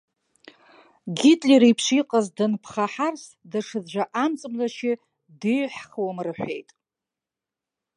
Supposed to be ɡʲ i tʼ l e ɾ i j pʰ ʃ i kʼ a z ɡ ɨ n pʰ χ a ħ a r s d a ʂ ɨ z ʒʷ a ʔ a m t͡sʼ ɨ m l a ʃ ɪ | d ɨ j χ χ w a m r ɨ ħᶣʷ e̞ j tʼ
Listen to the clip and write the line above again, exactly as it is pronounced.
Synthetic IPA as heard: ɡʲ i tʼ l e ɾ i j pʰ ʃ i qʼ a z d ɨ n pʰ χ a ħ a r s d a ʂ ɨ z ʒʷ a ʔ a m t͡sʼ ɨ m l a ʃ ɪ | d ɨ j ħ χ w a m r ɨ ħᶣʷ e̞ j tʼ